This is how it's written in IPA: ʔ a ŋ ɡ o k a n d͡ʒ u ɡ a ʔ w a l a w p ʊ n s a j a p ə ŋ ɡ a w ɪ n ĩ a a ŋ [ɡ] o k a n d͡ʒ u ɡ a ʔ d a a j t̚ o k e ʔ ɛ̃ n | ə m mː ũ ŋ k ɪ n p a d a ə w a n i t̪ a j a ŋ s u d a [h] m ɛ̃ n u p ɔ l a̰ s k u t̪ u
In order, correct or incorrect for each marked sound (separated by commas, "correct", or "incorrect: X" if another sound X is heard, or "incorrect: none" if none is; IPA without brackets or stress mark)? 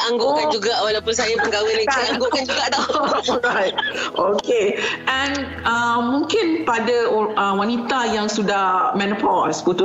correct, correct